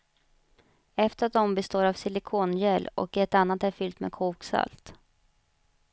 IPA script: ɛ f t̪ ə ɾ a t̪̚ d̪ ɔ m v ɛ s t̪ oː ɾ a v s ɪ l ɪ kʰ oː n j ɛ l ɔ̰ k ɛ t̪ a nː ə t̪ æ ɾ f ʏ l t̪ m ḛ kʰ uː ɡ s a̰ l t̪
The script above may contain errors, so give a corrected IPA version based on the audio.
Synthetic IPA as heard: ɛ f t̪ ə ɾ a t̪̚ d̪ ɔ m b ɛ s t̪ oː ɾ a v s ɪ l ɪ kʰ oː n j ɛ l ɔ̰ k ɛ t̪ a nː a t̪ æ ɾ f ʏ l t̪ m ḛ kʰ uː k s a̰ l t̪